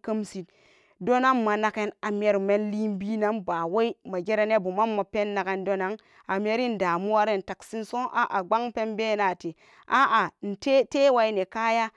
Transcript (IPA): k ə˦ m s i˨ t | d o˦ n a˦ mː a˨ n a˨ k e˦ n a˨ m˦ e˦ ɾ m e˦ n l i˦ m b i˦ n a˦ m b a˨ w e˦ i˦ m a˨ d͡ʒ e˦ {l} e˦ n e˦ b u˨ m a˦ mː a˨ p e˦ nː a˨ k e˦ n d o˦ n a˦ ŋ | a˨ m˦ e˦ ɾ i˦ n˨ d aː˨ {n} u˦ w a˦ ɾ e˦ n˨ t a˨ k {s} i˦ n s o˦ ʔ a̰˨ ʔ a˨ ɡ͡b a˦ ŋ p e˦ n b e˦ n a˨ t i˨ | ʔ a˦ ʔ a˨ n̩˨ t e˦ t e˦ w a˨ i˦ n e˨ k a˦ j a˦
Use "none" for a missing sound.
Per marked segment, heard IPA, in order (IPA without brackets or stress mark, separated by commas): ɾ, m, s